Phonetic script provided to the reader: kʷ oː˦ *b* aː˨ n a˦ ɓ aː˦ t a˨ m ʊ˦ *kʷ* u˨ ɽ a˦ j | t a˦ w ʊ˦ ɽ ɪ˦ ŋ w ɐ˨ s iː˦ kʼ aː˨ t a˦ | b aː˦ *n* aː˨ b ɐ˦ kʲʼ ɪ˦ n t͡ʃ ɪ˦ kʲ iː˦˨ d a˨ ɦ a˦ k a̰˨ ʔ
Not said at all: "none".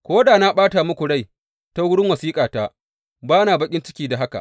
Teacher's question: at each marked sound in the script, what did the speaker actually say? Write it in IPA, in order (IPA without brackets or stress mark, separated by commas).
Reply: d, kʷ, n